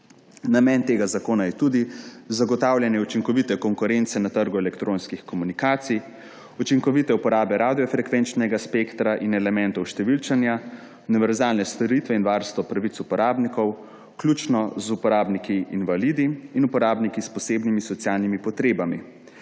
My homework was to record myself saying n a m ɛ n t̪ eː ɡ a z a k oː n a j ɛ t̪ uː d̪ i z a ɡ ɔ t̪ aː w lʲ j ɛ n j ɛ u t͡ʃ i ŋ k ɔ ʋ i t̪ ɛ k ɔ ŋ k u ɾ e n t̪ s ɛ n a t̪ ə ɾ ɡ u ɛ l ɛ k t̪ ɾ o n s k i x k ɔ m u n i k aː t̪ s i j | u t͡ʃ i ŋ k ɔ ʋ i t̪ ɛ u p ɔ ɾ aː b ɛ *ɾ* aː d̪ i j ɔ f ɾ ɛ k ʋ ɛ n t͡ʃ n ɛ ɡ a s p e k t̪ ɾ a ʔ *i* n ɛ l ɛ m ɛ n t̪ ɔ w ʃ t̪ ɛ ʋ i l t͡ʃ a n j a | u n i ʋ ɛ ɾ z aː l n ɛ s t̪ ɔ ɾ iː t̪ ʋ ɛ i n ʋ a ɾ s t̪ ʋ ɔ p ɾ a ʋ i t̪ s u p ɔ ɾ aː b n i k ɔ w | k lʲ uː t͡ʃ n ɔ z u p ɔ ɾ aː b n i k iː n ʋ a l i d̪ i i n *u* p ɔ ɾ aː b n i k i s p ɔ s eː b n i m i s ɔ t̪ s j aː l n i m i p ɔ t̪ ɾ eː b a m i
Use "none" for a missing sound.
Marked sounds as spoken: ɾ, i, u

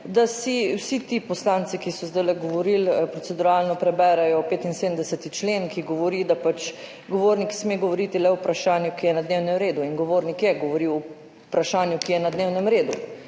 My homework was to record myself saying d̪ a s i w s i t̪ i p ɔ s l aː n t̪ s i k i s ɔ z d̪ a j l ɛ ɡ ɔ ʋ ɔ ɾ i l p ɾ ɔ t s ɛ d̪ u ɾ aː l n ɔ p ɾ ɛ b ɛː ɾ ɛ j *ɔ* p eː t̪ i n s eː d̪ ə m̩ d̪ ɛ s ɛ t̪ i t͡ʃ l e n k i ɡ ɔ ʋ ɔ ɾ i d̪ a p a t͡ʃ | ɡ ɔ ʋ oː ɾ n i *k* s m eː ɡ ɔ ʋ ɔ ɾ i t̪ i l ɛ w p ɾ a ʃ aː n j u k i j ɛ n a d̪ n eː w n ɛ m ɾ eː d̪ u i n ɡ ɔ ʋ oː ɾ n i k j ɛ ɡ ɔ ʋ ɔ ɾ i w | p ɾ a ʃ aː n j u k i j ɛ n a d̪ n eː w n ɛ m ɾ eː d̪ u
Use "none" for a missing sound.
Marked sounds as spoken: ɔ, k

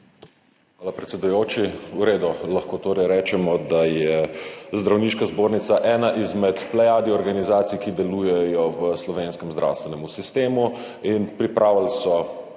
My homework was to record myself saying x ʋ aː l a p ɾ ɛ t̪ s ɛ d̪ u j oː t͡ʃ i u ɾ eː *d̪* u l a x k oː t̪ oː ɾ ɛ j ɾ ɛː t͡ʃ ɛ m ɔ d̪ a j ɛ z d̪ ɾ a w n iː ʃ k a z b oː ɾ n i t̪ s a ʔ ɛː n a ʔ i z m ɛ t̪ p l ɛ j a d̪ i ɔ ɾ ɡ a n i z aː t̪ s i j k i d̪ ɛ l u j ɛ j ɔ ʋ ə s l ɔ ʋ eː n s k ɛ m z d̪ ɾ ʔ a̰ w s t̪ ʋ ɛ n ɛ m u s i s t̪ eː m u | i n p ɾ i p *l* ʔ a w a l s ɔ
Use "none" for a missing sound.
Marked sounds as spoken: d̪, ɾ

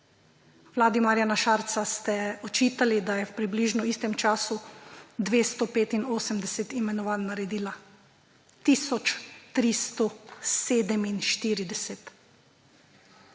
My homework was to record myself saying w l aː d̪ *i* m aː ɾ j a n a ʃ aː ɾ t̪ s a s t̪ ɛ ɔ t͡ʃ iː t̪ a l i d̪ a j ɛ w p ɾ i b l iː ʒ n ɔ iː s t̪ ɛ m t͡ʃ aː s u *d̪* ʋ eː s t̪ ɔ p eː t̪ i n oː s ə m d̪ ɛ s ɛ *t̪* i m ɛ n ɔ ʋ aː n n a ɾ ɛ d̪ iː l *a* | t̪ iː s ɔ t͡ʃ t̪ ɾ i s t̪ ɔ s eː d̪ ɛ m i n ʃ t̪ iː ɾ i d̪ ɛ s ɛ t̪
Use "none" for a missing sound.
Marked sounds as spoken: i, d̪, t̪, a

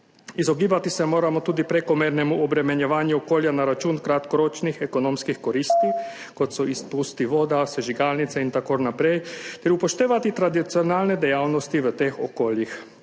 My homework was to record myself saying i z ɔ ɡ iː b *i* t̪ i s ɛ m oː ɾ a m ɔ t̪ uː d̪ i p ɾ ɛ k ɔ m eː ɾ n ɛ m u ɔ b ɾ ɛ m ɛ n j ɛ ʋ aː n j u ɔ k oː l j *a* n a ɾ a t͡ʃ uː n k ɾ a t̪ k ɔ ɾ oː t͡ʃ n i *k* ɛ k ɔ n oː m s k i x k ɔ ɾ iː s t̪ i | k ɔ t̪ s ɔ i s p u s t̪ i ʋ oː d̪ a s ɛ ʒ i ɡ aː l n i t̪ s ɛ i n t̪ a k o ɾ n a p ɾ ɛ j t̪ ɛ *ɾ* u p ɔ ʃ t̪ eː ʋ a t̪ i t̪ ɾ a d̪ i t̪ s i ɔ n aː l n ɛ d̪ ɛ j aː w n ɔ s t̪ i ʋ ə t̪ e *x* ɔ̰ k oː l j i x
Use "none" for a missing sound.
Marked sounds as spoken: a, a, x, ɾ, x

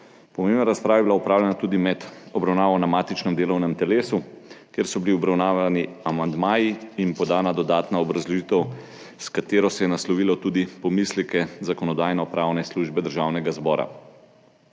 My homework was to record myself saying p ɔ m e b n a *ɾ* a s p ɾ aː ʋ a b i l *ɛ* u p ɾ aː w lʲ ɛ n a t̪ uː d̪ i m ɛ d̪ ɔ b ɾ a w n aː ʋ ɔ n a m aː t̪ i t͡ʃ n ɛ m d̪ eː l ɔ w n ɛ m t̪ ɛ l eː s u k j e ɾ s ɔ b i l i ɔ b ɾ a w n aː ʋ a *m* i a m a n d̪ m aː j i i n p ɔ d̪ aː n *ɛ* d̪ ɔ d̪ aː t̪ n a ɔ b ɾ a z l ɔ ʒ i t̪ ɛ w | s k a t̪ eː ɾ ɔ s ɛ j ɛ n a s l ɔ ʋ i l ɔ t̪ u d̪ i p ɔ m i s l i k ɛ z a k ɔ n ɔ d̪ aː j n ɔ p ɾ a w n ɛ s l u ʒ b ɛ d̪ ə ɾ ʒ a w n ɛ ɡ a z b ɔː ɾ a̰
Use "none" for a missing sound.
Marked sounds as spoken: ɾ, a, n, a

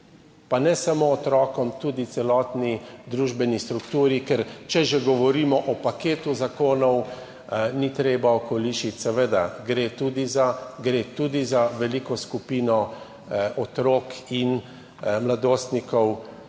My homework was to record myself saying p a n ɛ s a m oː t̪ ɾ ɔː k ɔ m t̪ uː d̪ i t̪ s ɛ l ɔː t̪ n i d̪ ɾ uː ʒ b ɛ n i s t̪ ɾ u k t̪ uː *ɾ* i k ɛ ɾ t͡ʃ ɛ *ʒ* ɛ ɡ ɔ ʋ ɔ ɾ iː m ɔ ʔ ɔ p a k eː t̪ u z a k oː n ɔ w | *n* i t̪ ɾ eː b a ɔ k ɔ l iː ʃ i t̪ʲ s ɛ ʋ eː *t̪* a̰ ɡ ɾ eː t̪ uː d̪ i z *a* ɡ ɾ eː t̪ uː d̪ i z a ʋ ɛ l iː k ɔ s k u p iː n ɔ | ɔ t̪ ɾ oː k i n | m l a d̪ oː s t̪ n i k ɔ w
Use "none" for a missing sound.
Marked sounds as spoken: ɾ, ʒ, n, d̪, a

